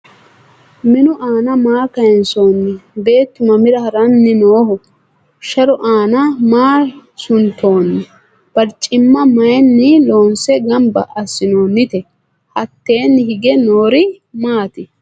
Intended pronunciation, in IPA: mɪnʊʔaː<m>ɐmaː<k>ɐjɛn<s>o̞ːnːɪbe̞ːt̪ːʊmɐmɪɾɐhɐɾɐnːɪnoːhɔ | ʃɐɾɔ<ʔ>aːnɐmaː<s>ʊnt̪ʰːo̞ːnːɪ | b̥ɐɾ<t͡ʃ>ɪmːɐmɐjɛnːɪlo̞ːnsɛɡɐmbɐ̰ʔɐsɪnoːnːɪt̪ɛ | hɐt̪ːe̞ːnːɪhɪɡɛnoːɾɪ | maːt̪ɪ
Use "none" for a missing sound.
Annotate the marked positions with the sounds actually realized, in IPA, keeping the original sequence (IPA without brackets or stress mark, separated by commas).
n, k, s, ʔ, s, t͡ʃʼ